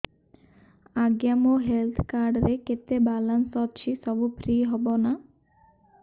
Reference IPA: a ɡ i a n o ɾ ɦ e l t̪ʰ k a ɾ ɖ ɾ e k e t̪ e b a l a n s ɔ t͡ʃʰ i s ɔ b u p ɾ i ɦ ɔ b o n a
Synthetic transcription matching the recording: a ɡ j a m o ɦ e l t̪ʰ k a ɾ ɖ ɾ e k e t̪ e b a l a n s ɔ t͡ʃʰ i s ɔ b u p ɾ i ɦ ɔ b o n a